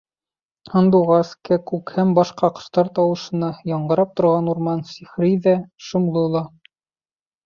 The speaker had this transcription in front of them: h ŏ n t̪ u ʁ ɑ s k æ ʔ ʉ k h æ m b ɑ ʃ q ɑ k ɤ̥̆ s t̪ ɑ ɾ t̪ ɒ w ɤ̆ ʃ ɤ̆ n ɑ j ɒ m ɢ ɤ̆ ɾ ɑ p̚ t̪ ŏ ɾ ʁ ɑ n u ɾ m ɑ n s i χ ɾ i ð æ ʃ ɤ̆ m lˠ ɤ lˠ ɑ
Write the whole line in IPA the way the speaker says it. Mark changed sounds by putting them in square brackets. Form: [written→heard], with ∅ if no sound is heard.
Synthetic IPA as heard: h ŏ n [t̪→d̪] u ʁ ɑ s k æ [ʔ→k] ʉ k h æ m b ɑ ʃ q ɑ [k→q] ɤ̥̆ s t̪ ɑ ɾ t̪ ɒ w ɤ̆ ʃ ɤ̆ n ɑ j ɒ [m→ɴ] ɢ ɤ̆ ɾ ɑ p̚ t̪ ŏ ɾ ʁ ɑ n u ɾ m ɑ n s i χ ɾ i ð æ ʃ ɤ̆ m lˠ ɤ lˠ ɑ